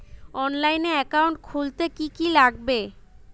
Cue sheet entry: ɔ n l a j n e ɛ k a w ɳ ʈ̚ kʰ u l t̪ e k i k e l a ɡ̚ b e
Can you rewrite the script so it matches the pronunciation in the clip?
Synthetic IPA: ɔ n l a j n e ɛ k a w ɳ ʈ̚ kʰ u l t̪ e k i k i l a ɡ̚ b e